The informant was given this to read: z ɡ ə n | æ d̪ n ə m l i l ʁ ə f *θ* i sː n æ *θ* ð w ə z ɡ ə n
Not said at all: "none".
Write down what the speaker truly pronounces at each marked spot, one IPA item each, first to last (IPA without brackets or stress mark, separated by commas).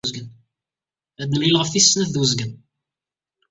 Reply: θ, θ